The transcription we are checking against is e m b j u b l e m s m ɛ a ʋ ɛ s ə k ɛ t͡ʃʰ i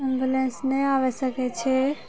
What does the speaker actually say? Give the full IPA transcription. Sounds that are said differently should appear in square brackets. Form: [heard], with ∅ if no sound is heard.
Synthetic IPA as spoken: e m b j u [∅] l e [n] s [n] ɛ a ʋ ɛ s ə k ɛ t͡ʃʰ [ɛ]